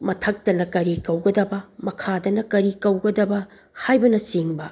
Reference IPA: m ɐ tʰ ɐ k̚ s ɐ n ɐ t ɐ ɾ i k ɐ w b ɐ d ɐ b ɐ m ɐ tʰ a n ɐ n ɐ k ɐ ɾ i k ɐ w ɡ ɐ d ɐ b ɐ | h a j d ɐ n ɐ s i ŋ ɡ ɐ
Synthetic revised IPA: m ɐ tʰ ɐ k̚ t ɐ n ɐ k ɐ ɾ i k ɐ w ɡ ɐ d ɐ b ɐ m ɐ kʰ a d ɐ n ɐ k ɐ ɾ i k ɐ w ɡ ɐ d ɐ b ɐ | h a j b ɐ n ɐ s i ŋ b ɐ